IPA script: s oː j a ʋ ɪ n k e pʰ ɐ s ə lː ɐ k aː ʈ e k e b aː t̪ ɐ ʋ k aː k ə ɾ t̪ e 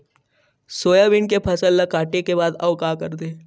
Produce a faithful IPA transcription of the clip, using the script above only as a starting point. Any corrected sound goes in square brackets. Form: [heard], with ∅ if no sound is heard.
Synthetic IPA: s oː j a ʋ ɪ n k e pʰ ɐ s ə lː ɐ k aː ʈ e k e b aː [d̪] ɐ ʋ k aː k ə ɾ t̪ e